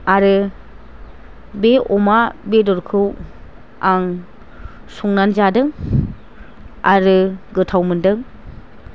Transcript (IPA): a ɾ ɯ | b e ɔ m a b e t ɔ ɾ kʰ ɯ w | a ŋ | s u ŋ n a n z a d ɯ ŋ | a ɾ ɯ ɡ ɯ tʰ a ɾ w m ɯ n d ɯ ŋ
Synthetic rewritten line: a ɾ ɯ | b e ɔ m a b e d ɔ ɾ kʰ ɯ w | a ŋ | s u ŋ n a n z a d ɯ ŋ | a ɾ ɯ ɡ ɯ tʰ a w m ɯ n d ɯ ŋ

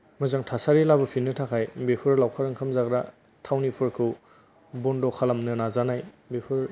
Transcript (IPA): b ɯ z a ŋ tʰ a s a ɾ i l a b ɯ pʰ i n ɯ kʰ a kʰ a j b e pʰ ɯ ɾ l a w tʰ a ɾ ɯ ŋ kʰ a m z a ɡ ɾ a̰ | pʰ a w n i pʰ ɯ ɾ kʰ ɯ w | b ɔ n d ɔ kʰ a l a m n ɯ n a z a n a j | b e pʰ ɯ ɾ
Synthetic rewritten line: m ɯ z a ŋ tʰ a s a ɾ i l a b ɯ pʰ i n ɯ tʰ a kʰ a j b e pʰ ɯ ɾ l a w kʰ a ɾ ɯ ŋ kʰ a m z a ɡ ɾ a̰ | tʰ a w n i pʰ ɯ ɾ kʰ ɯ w | b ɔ n d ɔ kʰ a l a m n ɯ n a z a n a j | b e pʰ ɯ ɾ

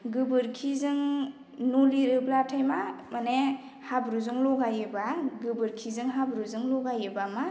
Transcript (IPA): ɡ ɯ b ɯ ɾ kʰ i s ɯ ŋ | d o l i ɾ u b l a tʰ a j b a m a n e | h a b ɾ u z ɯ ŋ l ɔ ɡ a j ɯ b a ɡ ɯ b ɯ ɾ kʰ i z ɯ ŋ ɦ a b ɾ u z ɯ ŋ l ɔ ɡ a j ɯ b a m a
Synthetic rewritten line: ɡ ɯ b ɯ ɾ kʰ i z ɯ ŋ | n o l i ɾ ɯ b l a tʰ a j m a m a n e | h a b ɾ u z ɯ ŋ l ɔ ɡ a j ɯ b a ɡ ɯ b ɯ ɾ kʰ i z ɯ ŋ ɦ a b ɾ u z ɯ ŋ l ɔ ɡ a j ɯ b a m a

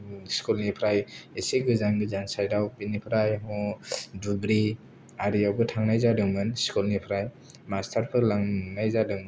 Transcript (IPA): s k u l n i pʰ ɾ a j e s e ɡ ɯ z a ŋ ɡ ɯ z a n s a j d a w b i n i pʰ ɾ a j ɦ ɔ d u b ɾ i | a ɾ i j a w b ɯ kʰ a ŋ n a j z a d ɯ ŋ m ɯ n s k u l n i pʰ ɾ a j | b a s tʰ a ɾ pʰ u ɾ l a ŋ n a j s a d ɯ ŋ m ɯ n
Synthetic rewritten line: s k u l n i pʰ ɾ a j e s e ɡ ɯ z a ŋ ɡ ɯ z a n s a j d a w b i n i pʰ ɾ a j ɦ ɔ d u b ɾ i | a ɾ i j a w b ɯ tʰ a ŋ n a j z a d ɯ ŋ m ɯ n s k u l n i pʰ ɾ a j | m a s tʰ a ɾ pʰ ɯ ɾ l a ŋ n a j z a d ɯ ŋ m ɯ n

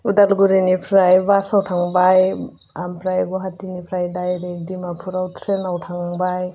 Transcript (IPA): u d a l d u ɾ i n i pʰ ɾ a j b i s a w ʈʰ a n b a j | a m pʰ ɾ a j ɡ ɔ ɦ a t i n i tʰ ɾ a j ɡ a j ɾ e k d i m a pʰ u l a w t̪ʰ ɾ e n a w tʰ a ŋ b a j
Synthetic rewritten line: u d a l ɡ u ɾ i n i pʰ ɾ a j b a s a w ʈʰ a ŋ b a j | a m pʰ ɾ a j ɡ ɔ ɦ a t i n i pʰ ɾ a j d a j ɾ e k d i m a pʰ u ɾ a w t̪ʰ ɾ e n a w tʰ a ŋ b a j

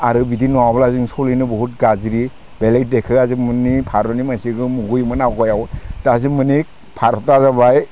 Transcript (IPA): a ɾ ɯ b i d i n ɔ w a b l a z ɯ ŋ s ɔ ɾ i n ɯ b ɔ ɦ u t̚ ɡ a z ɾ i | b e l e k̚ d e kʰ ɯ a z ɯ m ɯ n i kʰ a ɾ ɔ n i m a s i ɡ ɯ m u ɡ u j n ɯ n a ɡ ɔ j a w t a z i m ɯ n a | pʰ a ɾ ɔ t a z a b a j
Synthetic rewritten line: a ɾ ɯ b i d i n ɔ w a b l a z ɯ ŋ s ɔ l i n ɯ b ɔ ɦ u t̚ ɡ a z ɾ i | b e l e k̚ d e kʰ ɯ a z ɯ m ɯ n i pʰ a ɾ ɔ n i m a s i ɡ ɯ m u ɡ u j m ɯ n a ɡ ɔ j a w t a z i m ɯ n i | pʰ a ɾ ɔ t a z a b a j

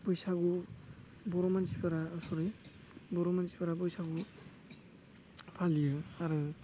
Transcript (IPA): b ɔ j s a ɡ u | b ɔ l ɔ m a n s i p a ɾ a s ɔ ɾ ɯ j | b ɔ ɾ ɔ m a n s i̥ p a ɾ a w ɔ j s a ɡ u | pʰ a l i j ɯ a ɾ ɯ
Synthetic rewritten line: b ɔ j s a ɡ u | b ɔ ɾ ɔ m a n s i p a ɾ a s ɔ ɾ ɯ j | b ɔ ɾ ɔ m a n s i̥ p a ɾ a b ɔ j s a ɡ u | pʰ a l i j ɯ a ɾ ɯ

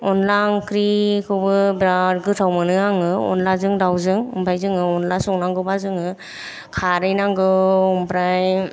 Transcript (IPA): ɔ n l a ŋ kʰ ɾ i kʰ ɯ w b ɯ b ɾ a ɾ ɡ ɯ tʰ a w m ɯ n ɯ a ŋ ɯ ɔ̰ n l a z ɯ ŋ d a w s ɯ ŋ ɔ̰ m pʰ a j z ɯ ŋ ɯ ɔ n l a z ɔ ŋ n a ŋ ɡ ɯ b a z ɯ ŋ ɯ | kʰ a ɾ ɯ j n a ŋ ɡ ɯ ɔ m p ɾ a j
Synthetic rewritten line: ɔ n l a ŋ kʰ ɾ i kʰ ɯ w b ɯ b ɾ a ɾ ɡ ɯ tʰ a w m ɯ n ɯ a ŋ ɯ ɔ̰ n l a z ɯ ŋ d a w z ɯ ŋ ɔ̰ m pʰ a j z ɯ ŋ ɯ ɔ n l a s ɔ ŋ n a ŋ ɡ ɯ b a z ɯ ŋ ɯ | kʰ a ɾ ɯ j n a ŋ ɡ ɯ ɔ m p ɾ a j

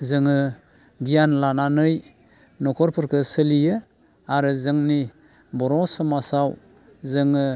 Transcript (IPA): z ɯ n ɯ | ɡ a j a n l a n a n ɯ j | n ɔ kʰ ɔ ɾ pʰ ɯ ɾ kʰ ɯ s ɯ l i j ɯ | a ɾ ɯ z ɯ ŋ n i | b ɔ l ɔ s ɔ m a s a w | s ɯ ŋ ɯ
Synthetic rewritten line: z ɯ ŋ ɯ | ɡ i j a n l a n a n ɯ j | n ɔ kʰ ɔ ɾ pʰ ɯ ɾ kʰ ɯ s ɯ l i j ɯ | a ɾ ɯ z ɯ ŋ n i | b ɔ ɾ ɔ s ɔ m a s a w | z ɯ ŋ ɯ

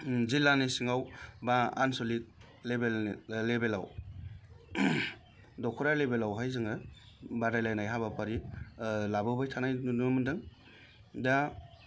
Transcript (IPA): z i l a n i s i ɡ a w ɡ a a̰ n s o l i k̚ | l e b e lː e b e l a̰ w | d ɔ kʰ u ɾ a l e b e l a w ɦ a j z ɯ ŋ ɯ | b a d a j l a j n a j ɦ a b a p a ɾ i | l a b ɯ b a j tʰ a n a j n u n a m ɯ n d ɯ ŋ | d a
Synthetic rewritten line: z i l a n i s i ŋ a w b a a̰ n s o l i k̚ | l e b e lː e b e l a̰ w | d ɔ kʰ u ɾ a l e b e l a w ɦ a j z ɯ ŋ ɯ | b a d a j l a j n a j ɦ a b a p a ɾ i | l a b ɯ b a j tʰ a n a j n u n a m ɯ n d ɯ ŋ | d a

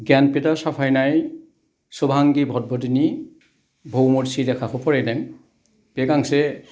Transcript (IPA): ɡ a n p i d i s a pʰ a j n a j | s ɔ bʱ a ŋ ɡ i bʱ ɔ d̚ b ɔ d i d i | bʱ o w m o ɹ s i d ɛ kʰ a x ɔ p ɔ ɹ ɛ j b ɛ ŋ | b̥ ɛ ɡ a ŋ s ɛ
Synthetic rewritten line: ɡ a n p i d a s a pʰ a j n a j | s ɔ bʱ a ŋ ɡ i bʱ ɔ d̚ b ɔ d i n i | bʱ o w m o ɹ s i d ɛ kʰ a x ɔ p ɔ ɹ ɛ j d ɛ ŋ | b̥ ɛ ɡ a ŋ s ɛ

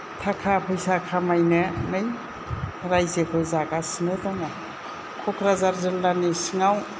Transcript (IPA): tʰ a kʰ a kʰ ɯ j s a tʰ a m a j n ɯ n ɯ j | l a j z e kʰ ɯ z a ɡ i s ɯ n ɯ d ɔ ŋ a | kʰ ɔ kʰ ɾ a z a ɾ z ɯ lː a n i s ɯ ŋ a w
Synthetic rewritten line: tʰ a kʰ a pʰ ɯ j s a kʰ a m a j n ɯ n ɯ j | ɾ a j z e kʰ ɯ z a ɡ a s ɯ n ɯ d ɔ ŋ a | kʰ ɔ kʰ ɾ a z a ɾ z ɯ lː a n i s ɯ ŋ a w

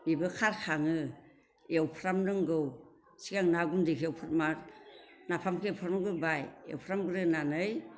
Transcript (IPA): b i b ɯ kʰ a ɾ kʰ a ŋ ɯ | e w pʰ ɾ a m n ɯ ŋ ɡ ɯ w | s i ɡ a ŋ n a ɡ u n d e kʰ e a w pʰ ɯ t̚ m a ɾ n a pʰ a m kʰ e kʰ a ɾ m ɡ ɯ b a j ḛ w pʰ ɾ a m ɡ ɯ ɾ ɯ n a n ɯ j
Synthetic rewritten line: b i b ɯ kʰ a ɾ kʰ a ŋ ɯ | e w pʰ ɾ a m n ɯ ŋ ɡ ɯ w | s i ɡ a ŋ n a ɡ u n d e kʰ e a w pʰ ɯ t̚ m a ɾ n a pʰ a m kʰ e pʰ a ɾ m ɡ ɯ b a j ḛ w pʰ ɾ a m ɡ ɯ ɾ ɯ n a n ɯ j

